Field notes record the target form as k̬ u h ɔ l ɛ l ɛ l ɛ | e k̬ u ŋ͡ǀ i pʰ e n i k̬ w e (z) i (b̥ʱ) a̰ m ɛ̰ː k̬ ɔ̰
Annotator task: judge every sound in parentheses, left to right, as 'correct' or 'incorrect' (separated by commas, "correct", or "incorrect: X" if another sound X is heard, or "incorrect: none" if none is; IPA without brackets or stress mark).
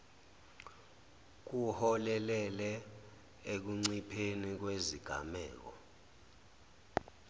correct, incorrect: ɡ̥ʱ